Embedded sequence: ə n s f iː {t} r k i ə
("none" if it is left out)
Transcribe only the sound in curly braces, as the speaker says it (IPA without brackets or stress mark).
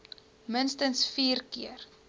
none